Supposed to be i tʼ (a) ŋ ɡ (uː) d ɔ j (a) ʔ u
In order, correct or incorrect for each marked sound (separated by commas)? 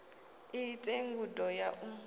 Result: incorrect, incorrect, correct